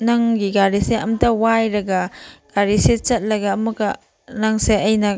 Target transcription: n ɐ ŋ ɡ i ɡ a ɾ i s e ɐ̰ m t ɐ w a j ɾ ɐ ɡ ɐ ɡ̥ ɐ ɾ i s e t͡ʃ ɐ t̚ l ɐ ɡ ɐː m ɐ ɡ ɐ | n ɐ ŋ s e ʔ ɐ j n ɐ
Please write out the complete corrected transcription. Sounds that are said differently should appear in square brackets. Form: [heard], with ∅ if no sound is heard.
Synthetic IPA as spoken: n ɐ ŋ ɡ i ɡ a ɾ i s e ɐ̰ m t ɐ w a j ɾ ɐ ɡ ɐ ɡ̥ [a] ɾ i s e t͡ʃ ɐ t̚ l ɐ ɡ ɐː m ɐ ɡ ɐ | n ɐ ŋ s e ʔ ɐ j n ɐ